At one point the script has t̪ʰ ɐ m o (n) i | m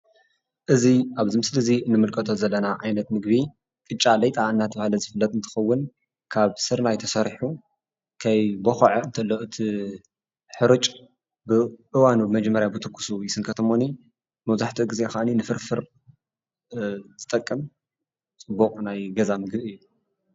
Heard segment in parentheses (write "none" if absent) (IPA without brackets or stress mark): n